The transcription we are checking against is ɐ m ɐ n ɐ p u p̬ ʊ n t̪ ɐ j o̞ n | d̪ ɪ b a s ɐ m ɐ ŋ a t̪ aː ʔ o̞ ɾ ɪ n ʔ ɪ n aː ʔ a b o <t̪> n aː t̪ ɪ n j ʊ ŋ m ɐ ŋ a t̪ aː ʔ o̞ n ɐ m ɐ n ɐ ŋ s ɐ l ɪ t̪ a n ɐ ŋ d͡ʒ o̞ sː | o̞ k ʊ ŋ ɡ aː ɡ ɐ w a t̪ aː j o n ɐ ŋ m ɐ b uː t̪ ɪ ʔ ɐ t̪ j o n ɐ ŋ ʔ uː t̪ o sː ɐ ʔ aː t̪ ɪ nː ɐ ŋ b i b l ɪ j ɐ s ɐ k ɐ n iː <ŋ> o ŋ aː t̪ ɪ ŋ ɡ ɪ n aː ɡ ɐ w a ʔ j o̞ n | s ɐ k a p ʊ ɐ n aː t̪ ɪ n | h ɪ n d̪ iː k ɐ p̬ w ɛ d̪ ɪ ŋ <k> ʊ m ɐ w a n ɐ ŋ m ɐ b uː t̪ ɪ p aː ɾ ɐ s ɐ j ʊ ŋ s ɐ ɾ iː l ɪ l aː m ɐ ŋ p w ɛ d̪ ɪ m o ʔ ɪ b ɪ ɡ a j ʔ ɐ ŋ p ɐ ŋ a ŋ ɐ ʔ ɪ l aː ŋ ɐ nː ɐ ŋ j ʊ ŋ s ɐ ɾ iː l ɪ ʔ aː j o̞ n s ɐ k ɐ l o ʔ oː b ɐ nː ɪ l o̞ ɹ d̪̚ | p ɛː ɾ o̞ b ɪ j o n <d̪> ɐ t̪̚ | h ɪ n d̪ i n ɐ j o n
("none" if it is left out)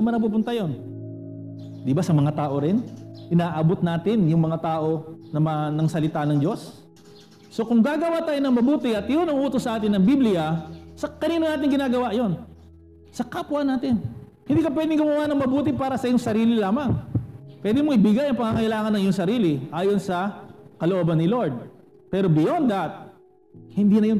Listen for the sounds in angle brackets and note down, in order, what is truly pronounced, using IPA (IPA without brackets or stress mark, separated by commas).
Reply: t̪, n, ɡ, d̪